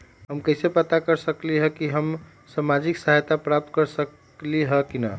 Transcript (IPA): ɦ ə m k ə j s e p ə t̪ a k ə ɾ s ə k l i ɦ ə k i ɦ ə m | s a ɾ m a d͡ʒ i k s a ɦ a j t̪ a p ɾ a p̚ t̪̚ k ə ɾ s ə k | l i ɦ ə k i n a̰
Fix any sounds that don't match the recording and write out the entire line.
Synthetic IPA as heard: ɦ ə m k ə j s e p ə t̪ a k ə ɾ s ə k l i ɦ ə k i ɦ ə m | s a m a d͡ʒ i k s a ɦ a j t̪ a p ɾ a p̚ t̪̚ k ə ɾ s ə k | l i ɦ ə k i n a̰